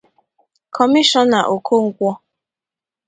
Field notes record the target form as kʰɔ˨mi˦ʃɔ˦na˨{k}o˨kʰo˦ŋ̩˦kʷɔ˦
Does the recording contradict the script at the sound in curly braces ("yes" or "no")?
yes